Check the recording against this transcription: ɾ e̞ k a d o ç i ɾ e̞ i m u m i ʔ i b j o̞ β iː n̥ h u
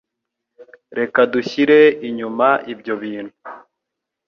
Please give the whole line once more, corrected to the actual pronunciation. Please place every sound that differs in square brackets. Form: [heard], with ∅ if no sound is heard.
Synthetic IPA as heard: ɾ e̞ k a d [u] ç i ɾ e̞ i [ɲ] u m [a] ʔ i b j o̞ β iː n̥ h u